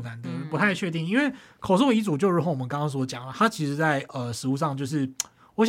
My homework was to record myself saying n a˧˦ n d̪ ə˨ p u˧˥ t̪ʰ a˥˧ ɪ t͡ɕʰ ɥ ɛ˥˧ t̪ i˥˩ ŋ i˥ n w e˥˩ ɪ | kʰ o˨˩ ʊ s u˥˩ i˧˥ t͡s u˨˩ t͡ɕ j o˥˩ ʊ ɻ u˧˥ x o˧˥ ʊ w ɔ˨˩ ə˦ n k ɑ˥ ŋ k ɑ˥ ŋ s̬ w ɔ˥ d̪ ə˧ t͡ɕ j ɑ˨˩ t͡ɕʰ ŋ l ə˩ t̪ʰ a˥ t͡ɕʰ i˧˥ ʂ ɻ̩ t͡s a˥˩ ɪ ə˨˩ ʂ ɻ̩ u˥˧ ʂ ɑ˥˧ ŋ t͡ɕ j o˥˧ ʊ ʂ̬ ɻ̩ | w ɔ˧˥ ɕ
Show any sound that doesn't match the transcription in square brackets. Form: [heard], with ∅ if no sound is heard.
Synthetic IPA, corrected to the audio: n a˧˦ n d̪ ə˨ p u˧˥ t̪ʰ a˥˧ ɪ t͡ɕʰ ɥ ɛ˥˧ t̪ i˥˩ ŋ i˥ n w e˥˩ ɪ | kʰ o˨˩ ʊ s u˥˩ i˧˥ t͡s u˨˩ t͡ɕ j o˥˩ ʊ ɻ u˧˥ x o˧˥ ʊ w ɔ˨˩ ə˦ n k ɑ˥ ŋ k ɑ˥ ŋ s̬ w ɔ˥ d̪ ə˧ t͡ɕ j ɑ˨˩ [∅] ŋ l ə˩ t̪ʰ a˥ t͡ɕʰ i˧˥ ʂ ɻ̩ t͡s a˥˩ ɪ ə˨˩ ʂ ɻ̩ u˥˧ ʂ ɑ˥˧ ŋ t͡ɕ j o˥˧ ʊ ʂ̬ ɻ̩ | w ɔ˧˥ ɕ